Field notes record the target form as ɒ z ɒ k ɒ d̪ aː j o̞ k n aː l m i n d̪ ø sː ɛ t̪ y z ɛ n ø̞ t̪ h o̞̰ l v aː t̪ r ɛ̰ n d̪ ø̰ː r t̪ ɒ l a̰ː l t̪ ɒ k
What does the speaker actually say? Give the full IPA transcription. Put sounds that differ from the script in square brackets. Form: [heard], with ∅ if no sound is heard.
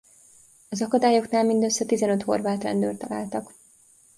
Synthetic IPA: ɒ z ɒ k ɒ d̪ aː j o̞ k n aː l m i n d̪ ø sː ɛ t̪ [i] z ɛ n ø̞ t̪ h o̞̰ [r] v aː t̪ r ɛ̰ n d̪ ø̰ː r t̪ ɒ l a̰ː l t̪ ɒ k